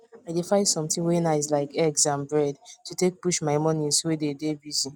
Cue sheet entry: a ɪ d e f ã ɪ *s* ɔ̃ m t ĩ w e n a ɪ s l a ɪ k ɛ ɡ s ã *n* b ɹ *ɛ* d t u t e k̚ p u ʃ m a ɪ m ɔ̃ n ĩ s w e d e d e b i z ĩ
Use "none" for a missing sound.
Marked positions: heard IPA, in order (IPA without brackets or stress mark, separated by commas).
s, n, ɛ